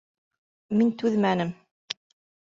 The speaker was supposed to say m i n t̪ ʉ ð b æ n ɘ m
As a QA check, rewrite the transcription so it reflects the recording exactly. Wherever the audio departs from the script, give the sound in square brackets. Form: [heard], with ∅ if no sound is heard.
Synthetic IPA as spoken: m i n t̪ ʉ ð [m] æ n ɘ m

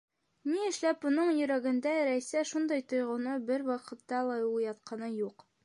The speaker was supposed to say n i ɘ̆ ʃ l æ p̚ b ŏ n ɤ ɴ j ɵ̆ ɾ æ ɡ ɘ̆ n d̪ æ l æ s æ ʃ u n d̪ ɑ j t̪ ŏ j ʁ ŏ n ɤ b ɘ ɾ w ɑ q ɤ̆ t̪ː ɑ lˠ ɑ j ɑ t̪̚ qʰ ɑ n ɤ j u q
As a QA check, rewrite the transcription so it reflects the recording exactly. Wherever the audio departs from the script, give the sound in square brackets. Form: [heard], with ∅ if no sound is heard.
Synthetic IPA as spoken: n i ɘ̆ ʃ l æ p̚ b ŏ n ɤ ɴ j ɵ̆ ɾ æ ɡ ɘ̆ n d̪ æ [ɾ] æ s æ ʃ u n d̪ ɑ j t̪ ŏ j ʁ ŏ n ɤ b ɘ ɾ w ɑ q ɤ̆ t̪ː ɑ lˠ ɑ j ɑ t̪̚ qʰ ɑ n ɤ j u q

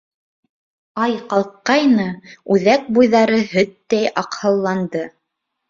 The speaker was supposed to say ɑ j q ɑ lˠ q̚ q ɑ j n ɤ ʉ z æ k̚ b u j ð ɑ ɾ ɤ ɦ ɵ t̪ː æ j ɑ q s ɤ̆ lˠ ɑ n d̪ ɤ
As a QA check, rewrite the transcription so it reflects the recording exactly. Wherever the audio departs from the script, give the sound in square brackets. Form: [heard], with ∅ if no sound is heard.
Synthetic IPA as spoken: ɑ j q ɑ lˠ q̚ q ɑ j n ɤ ʉ [ð] æ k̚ b u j ð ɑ ɾ ɤ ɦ ɵ t̪ː æ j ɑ q [h] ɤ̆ [lˠː] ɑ n d̪ ɤ

